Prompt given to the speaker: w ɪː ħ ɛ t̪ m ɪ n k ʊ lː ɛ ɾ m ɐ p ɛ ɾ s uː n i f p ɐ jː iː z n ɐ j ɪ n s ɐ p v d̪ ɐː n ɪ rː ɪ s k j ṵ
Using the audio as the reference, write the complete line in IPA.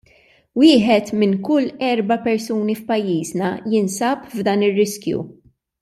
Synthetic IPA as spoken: w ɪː ħ ɛ t̪ m ɪ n k ʊ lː ɛ ɾ b ɐ p ɛ ɾ s uː n i f p ɐ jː iː z n ɐ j ɪ n s ɐ p v d̪ ɐː n ɪ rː ɪ s k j ṵ